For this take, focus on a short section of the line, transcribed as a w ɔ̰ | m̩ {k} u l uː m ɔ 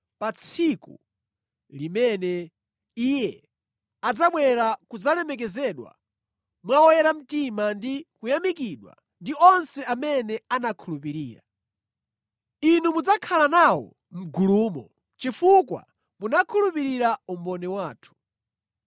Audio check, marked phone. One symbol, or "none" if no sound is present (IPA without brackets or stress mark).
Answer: ɡ